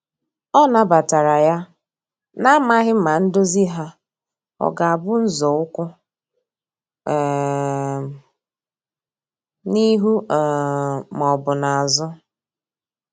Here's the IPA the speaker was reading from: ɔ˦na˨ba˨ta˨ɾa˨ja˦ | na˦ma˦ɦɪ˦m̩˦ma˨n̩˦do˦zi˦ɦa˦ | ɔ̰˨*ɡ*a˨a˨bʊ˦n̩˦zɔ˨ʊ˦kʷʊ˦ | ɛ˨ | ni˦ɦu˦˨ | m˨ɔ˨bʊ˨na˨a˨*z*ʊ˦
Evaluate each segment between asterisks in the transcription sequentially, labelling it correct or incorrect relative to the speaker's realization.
correct, correct

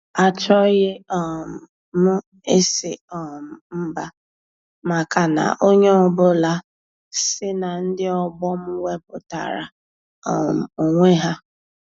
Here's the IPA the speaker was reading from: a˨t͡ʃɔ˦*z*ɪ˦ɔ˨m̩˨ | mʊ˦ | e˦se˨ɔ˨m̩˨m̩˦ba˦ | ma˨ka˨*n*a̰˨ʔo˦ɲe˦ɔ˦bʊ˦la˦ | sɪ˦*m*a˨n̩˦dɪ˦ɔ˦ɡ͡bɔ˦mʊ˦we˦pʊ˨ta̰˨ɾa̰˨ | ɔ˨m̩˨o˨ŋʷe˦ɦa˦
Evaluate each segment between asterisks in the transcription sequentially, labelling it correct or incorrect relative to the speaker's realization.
incorrect: ɣ, correct, incorrect: n

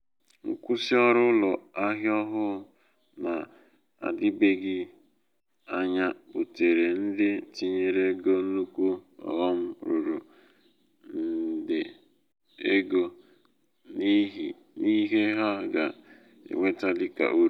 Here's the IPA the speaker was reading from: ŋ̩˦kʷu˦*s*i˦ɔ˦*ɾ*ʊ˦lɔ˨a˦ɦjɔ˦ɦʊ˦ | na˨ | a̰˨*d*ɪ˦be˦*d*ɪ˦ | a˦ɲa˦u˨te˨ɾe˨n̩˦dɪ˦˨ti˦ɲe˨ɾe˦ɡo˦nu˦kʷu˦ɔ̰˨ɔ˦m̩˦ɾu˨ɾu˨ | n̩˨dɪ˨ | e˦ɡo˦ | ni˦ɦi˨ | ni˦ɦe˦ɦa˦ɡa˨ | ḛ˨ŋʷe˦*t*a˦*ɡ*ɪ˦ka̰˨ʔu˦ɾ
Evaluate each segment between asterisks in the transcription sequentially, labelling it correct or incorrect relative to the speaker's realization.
correct, correct, correct, incorrect: ɡ, correct, incorrect: d

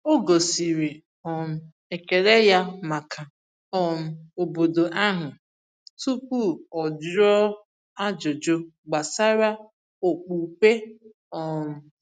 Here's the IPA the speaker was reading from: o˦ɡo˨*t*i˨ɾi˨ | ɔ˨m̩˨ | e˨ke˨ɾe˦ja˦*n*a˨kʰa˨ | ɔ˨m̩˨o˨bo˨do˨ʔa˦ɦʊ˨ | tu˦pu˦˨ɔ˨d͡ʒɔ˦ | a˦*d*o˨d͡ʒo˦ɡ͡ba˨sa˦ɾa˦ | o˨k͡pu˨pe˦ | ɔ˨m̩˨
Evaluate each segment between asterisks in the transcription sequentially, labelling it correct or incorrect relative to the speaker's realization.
incorrect: s, incorrect: m, incorrect: d͡ʒ

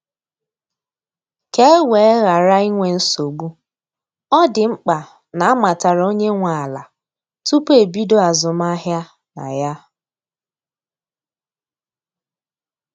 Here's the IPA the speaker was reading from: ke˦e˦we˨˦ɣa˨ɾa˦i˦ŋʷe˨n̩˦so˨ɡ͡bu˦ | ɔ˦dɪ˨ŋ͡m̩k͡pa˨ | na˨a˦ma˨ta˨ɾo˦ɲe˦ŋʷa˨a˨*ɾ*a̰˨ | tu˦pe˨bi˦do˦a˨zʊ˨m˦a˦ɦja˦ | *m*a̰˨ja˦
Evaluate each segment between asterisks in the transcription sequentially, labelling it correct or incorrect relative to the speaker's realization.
incorrect: l, incorrect: n

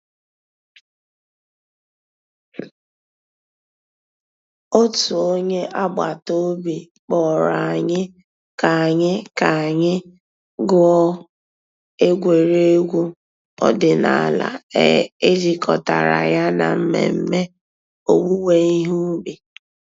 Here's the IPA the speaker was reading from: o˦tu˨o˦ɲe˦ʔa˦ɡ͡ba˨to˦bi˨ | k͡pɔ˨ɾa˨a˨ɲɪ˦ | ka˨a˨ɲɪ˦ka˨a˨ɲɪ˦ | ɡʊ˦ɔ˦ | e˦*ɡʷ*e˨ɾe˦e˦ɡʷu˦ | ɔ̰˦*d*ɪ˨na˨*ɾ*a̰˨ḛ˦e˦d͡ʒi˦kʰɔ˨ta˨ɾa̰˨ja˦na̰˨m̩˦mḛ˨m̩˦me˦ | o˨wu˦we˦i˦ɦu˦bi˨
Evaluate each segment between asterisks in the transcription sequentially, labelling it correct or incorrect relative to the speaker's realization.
correct, correct, incorrect: l

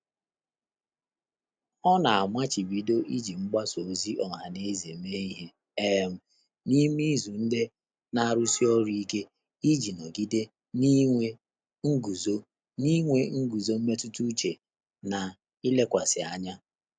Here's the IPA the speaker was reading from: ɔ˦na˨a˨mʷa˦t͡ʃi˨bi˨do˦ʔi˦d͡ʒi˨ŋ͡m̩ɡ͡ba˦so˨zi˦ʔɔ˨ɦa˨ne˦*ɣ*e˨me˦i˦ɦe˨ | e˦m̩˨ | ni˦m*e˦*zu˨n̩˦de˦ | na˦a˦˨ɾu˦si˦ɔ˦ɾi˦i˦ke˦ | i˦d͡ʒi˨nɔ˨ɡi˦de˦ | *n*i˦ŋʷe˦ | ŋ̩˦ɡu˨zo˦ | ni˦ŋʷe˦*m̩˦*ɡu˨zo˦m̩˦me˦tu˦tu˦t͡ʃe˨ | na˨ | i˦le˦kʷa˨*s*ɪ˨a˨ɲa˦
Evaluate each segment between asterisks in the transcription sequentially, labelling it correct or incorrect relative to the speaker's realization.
incorrect: z, incorrect: i˦, correct, incorrect: ŋ̩˦, correct

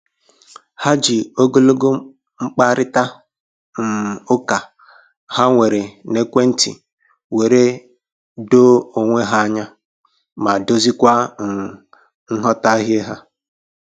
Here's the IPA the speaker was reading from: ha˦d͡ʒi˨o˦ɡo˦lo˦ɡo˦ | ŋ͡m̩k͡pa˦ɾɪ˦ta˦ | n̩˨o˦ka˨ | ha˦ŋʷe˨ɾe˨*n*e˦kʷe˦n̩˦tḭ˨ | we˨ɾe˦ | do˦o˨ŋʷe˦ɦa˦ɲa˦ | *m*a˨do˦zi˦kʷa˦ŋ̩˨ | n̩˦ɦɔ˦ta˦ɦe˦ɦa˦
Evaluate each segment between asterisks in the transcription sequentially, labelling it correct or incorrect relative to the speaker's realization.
correct, correct

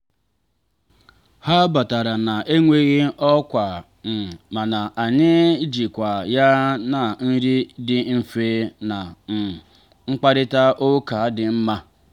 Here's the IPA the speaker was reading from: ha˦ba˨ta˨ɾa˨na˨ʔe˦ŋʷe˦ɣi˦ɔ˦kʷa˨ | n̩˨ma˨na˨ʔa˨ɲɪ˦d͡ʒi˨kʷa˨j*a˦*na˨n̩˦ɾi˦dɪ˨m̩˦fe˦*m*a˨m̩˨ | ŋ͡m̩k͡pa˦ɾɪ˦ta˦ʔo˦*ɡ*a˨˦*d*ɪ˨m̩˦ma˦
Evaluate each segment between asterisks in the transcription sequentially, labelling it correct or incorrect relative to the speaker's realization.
correct, incorrect: n, incorrect: k, correct

